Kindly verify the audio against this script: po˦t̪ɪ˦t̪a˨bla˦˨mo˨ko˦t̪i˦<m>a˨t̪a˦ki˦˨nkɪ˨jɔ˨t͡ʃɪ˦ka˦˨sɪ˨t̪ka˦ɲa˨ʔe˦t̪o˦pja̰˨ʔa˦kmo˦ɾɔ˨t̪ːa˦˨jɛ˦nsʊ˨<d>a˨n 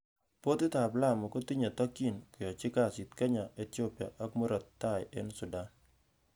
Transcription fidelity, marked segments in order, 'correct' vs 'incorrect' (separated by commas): incorrect, correct